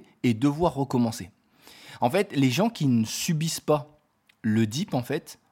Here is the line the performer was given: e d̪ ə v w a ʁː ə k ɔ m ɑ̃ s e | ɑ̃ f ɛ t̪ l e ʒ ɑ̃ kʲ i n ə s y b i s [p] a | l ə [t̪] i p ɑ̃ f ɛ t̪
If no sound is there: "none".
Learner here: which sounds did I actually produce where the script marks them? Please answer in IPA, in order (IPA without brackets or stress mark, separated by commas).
p, d̪